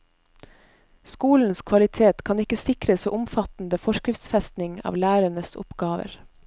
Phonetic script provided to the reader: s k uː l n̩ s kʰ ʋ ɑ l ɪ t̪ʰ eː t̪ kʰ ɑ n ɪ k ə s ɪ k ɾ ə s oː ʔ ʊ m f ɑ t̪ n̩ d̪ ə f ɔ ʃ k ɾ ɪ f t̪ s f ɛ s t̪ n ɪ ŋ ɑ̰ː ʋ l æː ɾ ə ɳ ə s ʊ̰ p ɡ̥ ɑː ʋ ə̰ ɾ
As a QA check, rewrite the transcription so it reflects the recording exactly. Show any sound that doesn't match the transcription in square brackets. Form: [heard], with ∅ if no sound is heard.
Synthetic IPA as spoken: s k uː l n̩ s kʰ ʋ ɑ l ɪ t̪ʰ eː t̪ kʰ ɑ n ɪ k ə s ɪ k ɾ ə s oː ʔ ʊ m f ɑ t̪ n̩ d̪ ə f ɔ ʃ k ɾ ɪ f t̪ s f ɛ s t̪ n ɪ ŋ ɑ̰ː ʋ l æː ɾ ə ɳ ə s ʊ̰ p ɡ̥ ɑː ʋ ə̰ ɾ